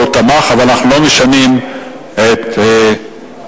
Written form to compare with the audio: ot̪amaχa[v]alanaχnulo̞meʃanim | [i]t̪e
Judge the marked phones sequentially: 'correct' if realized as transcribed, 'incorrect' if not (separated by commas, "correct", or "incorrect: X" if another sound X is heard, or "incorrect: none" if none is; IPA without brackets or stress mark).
correct, incorrect: e